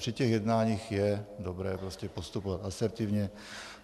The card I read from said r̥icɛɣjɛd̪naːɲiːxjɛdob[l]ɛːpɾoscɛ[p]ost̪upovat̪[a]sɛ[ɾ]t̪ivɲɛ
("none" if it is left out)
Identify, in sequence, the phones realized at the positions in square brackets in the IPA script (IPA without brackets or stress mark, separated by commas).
ɾ, p, a, ɾ